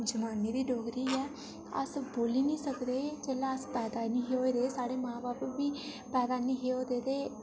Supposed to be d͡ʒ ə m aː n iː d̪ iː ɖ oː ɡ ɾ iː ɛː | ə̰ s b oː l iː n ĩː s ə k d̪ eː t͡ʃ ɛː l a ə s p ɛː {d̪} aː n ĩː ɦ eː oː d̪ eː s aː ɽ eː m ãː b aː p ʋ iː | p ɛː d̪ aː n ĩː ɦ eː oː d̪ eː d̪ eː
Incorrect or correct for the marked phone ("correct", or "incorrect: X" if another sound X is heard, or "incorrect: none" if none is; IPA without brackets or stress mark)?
correct